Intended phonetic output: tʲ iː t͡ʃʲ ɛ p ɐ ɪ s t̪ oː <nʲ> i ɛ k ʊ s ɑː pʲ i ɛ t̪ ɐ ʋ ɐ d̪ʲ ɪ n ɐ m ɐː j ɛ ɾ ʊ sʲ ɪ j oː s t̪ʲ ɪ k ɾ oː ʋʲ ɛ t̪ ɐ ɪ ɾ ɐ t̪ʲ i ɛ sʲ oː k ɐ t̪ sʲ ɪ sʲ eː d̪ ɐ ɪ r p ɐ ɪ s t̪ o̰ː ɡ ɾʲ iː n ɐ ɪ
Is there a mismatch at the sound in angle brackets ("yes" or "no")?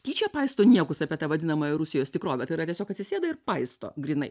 no